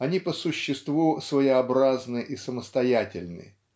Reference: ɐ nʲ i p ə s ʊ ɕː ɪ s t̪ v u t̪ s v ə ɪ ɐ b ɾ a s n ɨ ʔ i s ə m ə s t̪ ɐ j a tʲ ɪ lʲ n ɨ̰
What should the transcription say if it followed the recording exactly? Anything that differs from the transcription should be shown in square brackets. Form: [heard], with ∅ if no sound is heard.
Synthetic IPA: ɐ nʲ i p ə s ʊ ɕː ɪ s t̪ v u [∅] s v ə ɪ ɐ b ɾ a [z] n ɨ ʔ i s ə m ə s t̪ ɐ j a tʲ ɪ lʲ n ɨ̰